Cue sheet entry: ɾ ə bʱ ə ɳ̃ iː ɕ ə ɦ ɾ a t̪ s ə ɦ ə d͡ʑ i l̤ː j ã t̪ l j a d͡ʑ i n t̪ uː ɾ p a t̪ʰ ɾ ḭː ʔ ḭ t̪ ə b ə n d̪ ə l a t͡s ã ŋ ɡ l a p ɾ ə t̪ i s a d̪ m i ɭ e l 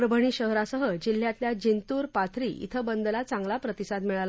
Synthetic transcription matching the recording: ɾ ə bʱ ə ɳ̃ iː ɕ ə ɦ ɾ a s ə ɦ ə d͡ʑ i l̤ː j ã t̪ l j a d͡ʑ i n t̪ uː ɾ p a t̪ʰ ɾ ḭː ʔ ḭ t̪ʰ ə b ə n d̪ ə l a t͡s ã ŋ ɡ l a p ɾ ə t̪ i s a d̪ m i ɭ a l